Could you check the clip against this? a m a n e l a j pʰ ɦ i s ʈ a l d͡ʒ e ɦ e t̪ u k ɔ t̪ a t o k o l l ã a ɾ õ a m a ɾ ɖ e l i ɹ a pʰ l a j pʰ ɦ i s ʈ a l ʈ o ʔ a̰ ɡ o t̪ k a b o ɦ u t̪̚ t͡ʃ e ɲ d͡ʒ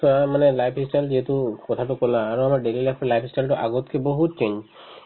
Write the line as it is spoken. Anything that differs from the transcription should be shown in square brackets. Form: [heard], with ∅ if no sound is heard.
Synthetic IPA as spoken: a m a n e l a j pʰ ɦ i s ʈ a l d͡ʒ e ɦ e t̪ u k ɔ [t̪ʰ] a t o k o l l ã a ɾ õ a m a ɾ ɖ e l i [l] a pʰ l a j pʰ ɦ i s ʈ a l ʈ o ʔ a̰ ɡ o t̪ k [e] b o ɦ u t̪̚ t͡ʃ e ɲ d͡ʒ